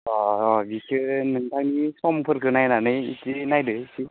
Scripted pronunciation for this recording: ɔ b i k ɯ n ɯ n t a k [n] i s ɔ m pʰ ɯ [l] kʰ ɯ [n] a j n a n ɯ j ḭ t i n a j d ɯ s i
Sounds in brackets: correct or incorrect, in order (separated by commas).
correct, incorrect, correct